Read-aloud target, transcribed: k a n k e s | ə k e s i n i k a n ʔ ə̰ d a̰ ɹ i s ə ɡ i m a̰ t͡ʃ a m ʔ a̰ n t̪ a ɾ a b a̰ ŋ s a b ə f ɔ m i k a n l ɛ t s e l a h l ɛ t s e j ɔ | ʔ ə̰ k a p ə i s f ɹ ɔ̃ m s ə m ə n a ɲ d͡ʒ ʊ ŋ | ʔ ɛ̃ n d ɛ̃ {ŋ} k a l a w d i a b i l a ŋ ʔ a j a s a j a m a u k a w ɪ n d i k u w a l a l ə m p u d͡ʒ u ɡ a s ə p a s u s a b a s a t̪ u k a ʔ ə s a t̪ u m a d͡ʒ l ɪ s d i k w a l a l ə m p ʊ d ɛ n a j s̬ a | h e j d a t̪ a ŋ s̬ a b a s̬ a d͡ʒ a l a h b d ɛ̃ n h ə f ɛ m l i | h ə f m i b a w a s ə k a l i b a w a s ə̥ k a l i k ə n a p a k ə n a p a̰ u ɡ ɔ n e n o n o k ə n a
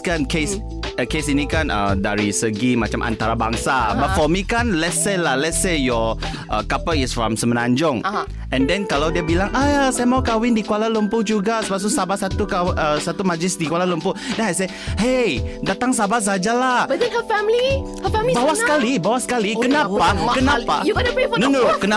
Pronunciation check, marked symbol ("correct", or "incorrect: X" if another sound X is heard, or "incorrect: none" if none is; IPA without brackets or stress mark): incorrect: n